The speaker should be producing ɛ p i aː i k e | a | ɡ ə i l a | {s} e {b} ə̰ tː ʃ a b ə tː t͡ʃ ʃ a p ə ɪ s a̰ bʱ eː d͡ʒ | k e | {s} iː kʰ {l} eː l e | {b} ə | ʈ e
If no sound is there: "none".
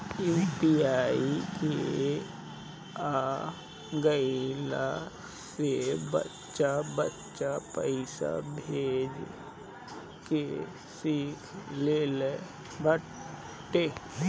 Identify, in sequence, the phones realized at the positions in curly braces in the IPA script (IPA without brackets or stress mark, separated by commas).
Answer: s, b, s, l, b